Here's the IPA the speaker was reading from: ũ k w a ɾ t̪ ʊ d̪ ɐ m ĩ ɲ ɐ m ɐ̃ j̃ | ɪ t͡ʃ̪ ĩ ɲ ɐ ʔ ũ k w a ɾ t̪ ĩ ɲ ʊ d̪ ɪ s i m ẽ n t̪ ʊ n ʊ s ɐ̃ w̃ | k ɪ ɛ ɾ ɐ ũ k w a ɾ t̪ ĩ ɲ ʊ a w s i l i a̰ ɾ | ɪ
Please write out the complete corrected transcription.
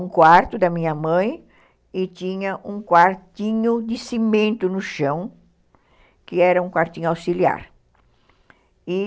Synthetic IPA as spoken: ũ k w a ɾ t̪ ʊ d̪ ɐ m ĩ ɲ ɐ m ɐ̃ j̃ | ɪ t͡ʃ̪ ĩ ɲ ɐ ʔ ũ k w a ɾ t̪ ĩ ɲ ʊ d̪ ɪ s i m ẽ n t̪ ʊ n ʊ ʃ ɐ̃ w̃ | k ɪ ɛ ɾ ɐ ũ k w a ɾ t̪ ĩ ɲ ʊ a w s i l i a̰ ɾ | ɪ